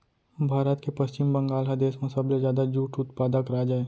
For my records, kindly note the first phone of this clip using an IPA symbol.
bʱ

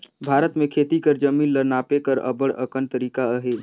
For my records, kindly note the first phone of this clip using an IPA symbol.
bʱ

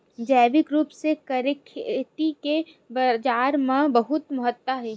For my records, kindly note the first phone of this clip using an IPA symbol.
d͡ʒ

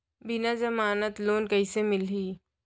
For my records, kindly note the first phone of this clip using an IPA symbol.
b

